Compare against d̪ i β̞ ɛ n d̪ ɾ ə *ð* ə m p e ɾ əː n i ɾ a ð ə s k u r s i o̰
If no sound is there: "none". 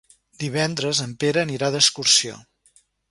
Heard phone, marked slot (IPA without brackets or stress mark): z